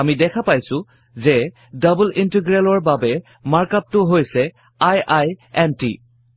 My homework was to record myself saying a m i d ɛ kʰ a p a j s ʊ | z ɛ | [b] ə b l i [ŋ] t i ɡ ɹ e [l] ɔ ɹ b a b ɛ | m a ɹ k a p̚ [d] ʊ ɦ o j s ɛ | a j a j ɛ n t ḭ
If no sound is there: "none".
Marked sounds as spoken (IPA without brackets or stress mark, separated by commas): d, n, l, t